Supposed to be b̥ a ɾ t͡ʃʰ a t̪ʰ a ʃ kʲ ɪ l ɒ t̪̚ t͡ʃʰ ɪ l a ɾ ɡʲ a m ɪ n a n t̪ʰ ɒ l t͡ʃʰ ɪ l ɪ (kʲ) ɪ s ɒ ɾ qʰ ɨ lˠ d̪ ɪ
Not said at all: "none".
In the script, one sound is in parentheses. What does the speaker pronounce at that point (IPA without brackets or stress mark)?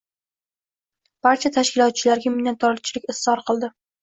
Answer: kʲ